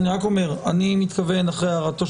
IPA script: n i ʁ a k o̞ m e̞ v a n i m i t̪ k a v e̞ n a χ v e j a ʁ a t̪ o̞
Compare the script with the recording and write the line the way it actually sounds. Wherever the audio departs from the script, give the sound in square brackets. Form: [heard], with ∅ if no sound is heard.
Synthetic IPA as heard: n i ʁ a k o̞ m e̞ [ʁ] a n i m i t̪ k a v e̞ n a χ [ʁ] e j a ʁ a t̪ o̞